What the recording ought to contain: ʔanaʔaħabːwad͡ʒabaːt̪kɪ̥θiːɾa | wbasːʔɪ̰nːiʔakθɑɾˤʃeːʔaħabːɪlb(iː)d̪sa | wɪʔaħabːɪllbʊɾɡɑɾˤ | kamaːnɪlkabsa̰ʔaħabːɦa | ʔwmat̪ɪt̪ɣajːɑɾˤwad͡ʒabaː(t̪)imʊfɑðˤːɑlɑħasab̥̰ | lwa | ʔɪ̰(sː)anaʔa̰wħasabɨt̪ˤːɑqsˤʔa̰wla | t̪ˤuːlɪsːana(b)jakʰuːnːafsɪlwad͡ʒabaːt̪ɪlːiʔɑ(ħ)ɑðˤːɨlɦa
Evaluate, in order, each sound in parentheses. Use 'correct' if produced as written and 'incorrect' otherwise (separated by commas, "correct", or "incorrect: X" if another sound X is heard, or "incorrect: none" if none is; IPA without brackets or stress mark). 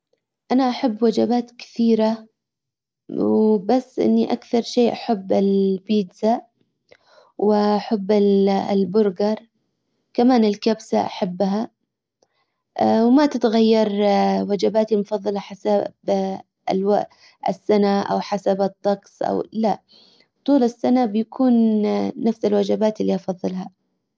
correct, correct, correct, correct, incorrect: f